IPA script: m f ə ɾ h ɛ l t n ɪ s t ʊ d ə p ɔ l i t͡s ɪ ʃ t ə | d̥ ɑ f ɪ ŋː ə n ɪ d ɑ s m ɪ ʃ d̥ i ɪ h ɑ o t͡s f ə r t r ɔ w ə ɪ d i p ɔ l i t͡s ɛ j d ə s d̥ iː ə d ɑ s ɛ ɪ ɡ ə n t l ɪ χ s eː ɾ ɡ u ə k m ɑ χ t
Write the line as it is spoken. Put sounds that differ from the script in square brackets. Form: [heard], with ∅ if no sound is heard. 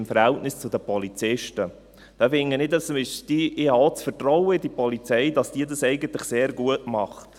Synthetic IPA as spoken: m f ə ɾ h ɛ l t n ɪ s [t͡s] ʊ d ə p ɔ l i t͡s ɪ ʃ t ə | d̥ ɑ f ɪ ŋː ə n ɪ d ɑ s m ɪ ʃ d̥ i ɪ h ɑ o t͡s f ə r t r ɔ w ə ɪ d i p ɔ l i t͡s ɛ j d [ɑ] s d̥ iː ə d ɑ s ɛ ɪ ɡ ə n t l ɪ χ s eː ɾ ɡ u ə [t] m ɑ χ t